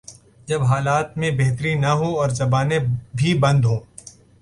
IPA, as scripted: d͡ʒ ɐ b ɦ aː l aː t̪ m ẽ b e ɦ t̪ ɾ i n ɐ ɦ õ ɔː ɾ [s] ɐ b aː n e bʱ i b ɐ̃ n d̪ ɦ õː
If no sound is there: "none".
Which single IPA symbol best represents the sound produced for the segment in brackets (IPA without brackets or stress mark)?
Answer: z